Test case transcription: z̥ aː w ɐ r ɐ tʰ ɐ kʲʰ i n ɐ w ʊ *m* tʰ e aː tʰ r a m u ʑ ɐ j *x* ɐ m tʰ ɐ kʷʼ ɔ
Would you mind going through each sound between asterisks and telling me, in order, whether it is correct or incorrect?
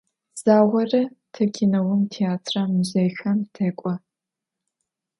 correct, correct

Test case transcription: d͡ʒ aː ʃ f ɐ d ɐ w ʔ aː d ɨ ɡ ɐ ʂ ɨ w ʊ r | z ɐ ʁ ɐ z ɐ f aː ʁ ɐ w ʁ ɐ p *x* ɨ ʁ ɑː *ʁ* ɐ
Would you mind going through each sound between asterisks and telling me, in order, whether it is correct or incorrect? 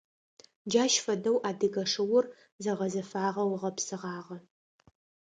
incorrect, correct

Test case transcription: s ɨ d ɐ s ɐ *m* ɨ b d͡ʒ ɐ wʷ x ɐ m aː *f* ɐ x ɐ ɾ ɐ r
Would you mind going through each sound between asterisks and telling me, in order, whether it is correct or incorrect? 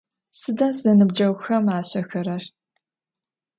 incorrect, incorrect

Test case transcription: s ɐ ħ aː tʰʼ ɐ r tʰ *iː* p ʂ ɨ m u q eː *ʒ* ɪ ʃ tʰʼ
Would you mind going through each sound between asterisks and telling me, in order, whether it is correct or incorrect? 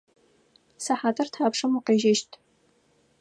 incorrect, correct

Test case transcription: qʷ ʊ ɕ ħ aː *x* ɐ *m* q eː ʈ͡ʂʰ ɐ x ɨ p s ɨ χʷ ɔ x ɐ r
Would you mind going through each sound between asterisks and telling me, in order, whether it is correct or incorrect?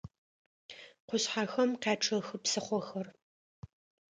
correct, correct

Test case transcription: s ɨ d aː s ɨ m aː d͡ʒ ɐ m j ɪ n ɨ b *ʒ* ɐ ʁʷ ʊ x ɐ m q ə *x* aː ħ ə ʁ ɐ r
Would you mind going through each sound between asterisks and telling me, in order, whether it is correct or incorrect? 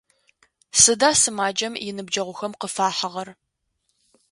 incorrect, incorrect

